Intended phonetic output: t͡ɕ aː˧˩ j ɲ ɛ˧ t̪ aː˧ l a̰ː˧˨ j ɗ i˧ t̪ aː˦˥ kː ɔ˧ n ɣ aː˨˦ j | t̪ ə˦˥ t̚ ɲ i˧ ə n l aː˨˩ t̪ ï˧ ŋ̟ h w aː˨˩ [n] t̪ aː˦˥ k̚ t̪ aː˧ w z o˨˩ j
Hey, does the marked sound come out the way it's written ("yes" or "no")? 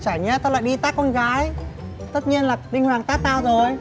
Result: no